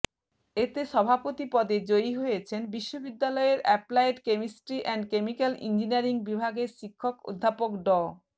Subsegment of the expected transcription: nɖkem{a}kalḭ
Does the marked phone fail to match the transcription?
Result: yes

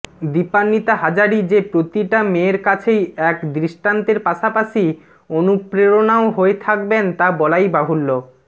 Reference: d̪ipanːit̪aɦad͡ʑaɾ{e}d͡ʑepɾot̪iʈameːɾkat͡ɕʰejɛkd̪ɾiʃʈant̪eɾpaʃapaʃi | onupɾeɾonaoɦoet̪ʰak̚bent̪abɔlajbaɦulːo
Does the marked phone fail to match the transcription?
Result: yes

